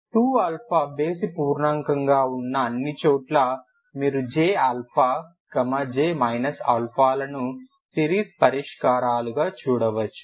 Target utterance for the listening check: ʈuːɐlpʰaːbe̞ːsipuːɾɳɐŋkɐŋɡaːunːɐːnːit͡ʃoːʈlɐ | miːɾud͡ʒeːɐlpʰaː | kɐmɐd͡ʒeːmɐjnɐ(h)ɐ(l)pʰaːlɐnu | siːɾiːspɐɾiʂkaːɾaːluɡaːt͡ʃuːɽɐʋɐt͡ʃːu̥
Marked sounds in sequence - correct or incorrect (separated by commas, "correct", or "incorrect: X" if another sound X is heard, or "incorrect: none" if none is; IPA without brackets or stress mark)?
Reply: incorrect: s, correct